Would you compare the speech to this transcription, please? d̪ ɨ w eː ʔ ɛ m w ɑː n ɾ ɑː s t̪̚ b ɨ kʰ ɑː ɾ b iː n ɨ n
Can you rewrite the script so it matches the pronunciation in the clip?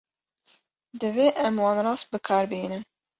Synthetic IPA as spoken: d̪ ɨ v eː ʔ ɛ m w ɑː n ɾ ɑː s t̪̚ b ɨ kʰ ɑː ɾ b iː n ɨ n